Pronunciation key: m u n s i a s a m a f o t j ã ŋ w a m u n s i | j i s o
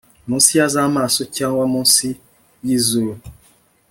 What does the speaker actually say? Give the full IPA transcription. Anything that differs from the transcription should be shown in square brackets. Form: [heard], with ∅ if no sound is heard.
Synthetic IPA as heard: m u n s i a [z] a m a [s] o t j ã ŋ w a m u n s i | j i [z] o